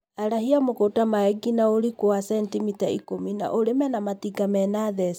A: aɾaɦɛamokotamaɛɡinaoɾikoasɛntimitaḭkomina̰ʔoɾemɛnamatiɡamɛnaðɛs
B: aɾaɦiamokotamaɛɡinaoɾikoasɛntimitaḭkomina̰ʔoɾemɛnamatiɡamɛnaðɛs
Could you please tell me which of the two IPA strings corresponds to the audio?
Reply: B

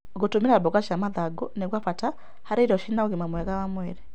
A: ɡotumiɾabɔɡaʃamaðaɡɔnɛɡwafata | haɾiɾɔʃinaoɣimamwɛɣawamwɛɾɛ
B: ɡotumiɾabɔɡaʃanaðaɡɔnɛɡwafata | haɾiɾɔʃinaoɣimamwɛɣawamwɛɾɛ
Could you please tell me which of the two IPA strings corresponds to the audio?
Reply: A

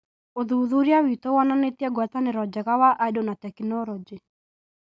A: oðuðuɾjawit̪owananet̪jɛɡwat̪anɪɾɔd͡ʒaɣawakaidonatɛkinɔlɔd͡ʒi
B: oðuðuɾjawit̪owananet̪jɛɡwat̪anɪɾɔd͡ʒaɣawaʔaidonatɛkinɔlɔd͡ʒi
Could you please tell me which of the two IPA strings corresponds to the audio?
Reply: B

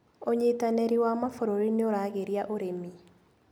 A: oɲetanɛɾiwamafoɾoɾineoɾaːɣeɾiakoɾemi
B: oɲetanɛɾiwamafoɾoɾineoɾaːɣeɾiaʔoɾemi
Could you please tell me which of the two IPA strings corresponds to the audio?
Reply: B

